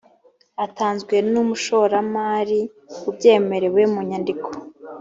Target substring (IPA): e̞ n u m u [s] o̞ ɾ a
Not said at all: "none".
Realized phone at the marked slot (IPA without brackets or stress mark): ʃ